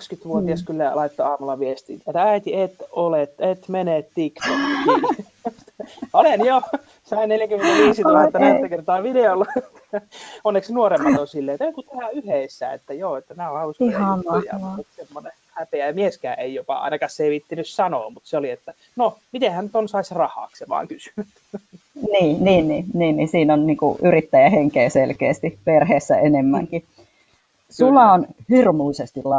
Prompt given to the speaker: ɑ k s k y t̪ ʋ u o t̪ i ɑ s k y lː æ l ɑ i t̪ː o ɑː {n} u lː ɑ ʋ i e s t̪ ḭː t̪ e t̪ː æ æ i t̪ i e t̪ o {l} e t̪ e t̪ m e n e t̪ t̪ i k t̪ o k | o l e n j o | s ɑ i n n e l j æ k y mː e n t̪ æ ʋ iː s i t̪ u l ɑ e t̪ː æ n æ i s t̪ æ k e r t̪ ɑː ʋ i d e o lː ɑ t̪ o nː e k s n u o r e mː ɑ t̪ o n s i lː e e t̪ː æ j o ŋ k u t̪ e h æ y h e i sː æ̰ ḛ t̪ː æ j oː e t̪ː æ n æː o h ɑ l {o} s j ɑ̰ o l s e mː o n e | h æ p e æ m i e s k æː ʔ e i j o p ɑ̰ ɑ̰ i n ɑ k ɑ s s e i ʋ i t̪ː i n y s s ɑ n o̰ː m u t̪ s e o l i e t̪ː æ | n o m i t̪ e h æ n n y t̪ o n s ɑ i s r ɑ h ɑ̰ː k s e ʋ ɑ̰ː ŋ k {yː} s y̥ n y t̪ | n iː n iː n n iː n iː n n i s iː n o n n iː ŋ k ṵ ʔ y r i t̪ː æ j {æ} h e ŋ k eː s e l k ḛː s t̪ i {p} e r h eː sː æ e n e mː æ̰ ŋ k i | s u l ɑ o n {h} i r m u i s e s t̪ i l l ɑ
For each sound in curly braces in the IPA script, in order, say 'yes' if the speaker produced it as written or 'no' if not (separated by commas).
no, yes, no, no, yes, yes, yes